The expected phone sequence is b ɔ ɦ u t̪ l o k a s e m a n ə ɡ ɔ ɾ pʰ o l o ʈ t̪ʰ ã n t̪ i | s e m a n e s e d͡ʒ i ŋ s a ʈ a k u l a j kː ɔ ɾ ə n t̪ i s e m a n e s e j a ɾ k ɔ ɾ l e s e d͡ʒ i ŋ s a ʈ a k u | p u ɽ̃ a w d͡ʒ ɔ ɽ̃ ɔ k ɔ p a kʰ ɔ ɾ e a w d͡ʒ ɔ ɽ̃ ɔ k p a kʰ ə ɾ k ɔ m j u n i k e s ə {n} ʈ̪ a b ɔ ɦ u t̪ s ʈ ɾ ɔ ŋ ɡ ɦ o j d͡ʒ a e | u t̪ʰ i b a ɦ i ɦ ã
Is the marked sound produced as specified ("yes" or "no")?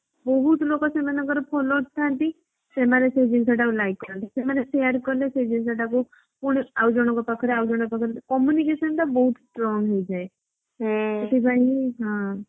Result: yes